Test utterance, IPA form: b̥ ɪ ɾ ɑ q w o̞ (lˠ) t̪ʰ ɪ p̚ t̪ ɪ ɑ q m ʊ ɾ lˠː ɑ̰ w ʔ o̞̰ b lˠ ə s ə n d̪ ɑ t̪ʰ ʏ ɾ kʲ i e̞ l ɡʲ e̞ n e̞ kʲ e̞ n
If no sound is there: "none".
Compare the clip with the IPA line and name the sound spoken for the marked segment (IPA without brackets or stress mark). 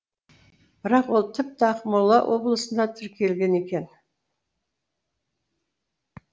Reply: lˠ